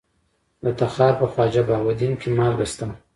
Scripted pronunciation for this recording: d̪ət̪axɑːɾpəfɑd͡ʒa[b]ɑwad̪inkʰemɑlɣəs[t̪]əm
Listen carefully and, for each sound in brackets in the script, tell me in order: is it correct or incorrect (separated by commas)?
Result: correct, correct